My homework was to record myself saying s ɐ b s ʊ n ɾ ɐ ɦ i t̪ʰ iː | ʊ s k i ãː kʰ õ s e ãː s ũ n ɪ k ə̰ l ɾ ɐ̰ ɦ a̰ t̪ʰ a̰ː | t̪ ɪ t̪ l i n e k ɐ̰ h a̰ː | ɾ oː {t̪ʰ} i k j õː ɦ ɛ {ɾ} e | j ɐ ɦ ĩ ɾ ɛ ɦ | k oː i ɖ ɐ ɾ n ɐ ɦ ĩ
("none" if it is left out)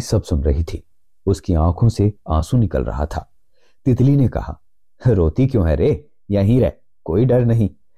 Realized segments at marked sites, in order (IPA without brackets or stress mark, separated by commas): t̪, ɾ